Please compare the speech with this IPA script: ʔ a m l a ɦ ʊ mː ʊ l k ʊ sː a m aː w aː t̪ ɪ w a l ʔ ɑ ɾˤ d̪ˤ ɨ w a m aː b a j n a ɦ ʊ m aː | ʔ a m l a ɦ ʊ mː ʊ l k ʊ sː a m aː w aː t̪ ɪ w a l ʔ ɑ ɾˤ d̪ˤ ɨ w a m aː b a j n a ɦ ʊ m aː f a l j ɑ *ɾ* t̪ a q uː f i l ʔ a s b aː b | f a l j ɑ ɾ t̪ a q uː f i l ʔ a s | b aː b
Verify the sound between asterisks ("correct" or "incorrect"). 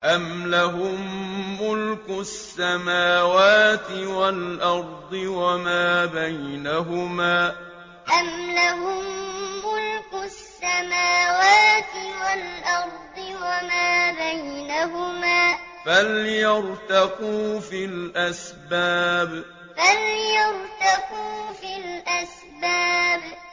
correct